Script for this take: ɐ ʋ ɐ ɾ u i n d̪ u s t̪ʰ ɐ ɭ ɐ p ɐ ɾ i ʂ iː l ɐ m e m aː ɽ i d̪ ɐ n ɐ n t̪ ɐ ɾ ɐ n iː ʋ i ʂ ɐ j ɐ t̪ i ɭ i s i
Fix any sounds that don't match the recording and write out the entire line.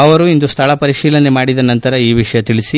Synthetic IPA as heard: ɐ ʋ ɐ ɾ u i n d̪ u s t̪ʰ ɐ ɭ ɐ p ɐ ɾ i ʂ iː l ɐ n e m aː ɽ i d̪ ɐ n ɐ n t̪ ɐ ɾ ɐ iː ʋ i ʂ ɐ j ɐ t̪ i ɭ i s i